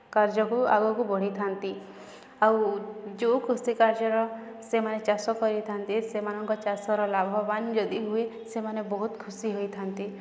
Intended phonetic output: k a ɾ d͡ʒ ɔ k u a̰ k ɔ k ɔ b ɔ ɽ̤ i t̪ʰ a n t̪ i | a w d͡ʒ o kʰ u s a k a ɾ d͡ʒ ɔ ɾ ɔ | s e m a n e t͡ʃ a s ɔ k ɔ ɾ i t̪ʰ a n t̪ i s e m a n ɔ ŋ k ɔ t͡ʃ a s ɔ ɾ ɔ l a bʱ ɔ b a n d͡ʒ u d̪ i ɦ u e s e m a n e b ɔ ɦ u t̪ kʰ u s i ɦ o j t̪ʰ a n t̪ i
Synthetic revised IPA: k a ɾ d͡ʒ ɔ k u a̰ ɡ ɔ k u b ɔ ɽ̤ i t̪ʰ a n t̪ i | a w d͡ʒ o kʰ u s i k a ɾ d͡ʒ ɔ ɾ ɔ | s e m a n e t͡ʃ a s ɔ k ɔ ɾ i t̪ʰ a n t̪ i s e m a n ɔ ŋ k ɔ t͡ʃ a s ɔ ɾ ɔ l a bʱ ɔ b a n d͡ʒ ɔ d̪ i ɦ u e s e m a n e b ɔ ɦ u t̪ kʰ u s i ɦ o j t̪ʰ a n t̪ i